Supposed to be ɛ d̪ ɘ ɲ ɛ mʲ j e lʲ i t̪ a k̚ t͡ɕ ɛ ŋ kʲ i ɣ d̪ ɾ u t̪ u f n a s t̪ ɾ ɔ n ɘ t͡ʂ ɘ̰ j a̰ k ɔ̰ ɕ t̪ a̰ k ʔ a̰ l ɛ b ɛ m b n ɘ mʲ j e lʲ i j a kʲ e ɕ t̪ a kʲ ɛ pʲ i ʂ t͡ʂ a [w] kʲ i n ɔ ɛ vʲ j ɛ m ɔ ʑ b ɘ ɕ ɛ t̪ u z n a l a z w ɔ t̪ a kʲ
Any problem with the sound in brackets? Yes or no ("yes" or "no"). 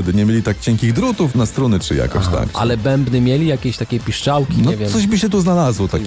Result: no